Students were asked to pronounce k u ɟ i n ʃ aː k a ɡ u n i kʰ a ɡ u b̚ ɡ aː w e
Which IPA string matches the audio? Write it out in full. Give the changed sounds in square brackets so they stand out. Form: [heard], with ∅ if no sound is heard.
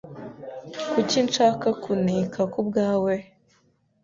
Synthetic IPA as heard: k u [c] i n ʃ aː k a [k] u n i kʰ a [k] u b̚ ɡ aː w e